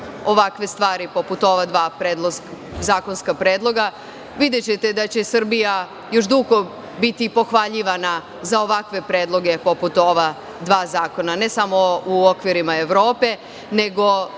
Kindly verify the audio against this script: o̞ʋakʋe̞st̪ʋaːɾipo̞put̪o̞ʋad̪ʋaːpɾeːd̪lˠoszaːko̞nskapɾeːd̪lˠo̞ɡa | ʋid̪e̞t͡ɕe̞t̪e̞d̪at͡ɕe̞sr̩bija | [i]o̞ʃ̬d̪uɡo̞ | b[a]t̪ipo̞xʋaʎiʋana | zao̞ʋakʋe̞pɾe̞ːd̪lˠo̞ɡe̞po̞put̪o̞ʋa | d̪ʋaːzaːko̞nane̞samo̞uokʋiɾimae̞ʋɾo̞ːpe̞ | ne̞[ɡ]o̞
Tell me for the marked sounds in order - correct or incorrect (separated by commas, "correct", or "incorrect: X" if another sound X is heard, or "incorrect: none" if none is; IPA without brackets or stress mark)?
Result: incorrect: j, incorrect: i, correct